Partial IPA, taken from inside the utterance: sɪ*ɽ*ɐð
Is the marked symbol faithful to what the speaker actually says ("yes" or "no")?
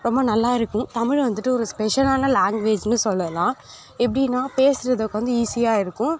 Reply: no